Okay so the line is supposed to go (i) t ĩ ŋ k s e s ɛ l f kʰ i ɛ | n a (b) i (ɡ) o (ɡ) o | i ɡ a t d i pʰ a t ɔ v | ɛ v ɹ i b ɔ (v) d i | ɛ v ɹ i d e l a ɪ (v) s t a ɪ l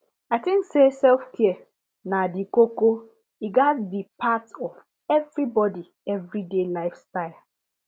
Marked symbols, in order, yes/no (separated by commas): no, no, no, no, no, no